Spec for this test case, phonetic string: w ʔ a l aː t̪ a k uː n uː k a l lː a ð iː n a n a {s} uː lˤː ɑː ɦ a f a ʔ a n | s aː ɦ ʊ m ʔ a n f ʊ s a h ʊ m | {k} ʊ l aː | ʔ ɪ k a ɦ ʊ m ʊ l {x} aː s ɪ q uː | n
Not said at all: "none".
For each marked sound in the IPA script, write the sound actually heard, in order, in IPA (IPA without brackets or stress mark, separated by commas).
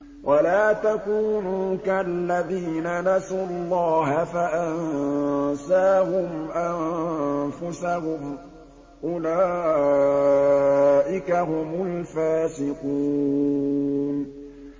s, ʔ, f